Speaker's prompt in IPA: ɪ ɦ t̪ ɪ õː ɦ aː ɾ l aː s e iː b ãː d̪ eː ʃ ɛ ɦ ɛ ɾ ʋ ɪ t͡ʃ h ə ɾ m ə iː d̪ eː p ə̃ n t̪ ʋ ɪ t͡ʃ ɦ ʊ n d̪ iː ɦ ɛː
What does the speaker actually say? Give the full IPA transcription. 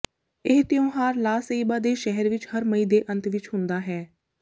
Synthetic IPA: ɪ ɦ t̪ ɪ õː ɦ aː ɾ l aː s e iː b aː d̪ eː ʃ ɛ ɦ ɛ ɾ ʋ ɪ t͡ʃ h ə ɾ m ə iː d̪ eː ʔ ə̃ n t̪ ʋ ɪ t͡ʃ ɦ ʊ n d̪ aː ɦ ɛː